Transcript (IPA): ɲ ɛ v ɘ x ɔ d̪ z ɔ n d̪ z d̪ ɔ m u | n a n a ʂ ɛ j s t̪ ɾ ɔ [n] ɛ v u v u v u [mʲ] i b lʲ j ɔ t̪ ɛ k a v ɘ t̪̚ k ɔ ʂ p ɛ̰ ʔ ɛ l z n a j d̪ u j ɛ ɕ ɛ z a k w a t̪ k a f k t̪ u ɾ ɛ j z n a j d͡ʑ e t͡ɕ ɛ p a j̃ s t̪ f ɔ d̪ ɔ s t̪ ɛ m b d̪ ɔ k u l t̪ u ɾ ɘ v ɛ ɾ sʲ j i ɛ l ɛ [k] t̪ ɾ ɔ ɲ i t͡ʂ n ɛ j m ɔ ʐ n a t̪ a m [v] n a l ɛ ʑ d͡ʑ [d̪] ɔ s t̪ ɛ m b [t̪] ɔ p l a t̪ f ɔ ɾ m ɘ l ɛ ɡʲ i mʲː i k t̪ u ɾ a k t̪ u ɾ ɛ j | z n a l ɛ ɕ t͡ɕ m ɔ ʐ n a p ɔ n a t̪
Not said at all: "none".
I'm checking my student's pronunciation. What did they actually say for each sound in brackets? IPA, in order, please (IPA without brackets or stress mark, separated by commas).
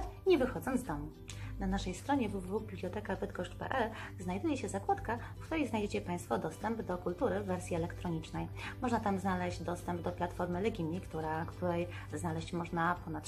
ɲ, bʲ, k, z, d̪, d̪